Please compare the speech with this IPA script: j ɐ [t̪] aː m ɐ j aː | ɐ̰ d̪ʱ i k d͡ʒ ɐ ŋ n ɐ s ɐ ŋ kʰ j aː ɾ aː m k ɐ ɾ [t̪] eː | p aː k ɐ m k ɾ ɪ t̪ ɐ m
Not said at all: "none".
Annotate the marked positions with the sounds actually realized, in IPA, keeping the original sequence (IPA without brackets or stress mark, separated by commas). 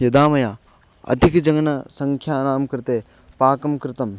d̪, t̪